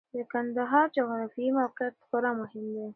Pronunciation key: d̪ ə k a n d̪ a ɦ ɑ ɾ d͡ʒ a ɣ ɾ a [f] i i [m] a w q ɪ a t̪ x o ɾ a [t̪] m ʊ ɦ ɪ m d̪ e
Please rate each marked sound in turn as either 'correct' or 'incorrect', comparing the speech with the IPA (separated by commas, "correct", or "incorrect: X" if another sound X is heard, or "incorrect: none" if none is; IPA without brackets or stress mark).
correct, correct, incorrect: none